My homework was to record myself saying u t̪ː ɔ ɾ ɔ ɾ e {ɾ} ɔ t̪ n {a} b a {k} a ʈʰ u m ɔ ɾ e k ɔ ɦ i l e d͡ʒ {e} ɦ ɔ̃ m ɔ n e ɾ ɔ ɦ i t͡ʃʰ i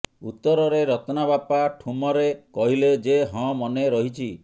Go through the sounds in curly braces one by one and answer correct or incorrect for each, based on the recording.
correct, correct, incorrect: p, correct

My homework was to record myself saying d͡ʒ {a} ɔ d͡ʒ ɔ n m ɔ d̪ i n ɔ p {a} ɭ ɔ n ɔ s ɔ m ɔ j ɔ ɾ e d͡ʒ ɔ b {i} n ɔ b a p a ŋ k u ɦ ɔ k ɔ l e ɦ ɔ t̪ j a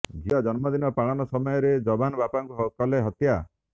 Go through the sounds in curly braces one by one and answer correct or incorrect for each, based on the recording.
incorrect: i, correct, incorrect: a

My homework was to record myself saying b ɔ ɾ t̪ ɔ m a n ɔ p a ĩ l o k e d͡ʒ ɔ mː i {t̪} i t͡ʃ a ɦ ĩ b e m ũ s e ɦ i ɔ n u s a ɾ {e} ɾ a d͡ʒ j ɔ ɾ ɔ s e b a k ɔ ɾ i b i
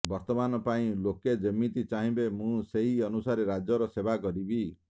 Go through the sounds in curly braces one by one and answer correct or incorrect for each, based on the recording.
correct, correct

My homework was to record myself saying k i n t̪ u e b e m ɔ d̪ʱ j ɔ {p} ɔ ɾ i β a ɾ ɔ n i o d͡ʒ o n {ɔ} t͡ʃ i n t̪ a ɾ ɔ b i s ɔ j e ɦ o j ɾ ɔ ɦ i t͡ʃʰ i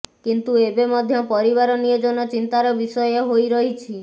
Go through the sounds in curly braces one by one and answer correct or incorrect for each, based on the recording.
correct, correct

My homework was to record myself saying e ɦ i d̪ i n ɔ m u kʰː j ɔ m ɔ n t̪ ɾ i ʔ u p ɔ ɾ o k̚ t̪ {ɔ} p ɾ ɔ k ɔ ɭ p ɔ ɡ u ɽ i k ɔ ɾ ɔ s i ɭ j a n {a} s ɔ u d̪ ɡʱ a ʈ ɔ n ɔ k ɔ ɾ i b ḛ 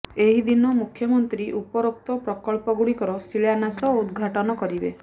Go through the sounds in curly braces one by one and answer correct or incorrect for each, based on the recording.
correct, correct

